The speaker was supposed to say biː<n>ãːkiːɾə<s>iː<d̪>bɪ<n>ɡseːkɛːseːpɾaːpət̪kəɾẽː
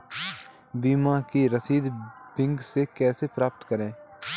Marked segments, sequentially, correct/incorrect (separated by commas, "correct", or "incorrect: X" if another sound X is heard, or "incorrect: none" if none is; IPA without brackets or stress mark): incorrect: m, correct, correct, incorrect: ŋ